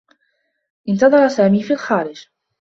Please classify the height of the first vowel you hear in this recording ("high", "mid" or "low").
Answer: high